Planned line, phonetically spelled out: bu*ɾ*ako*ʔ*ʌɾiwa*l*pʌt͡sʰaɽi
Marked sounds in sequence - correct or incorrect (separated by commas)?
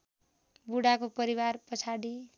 incorrect, incorrect, incorrect